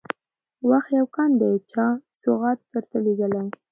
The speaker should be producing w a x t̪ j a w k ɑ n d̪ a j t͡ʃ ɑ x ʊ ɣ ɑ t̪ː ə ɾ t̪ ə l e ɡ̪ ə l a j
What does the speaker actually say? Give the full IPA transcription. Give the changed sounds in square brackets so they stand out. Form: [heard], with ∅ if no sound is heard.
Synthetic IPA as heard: w a x t̪ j a w k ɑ n d̪ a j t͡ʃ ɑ [s] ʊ ɣ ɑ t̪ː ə ɾ t̪ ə l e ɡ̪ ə l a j